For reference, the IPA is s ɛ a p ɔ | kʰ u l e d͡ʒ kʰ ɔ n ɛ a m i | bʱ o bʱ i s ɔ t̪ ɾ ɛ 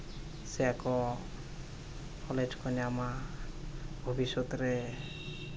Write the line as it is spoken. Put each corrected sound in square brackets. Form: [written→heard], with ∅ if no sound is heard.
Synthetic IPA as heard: s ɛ a [p→k] ɔ | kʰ [u→ɔ] l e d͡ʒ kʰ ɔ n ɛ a m [i→a] | bʱ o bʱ i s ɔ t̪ ɾ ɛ